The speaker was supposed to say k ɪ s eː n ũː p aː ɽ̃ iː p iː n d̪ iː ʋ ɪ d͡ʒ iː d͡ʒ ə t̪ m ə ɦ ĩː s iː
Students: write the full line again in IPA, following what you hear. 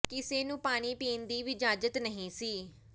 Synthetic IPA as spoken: k ɪ s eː n ũː p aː ɽ̃ iː p iː n d̪ iː ʋ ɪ d͡ʒ aː d͡ʒ ə t̪ n ə ɦ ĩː s iː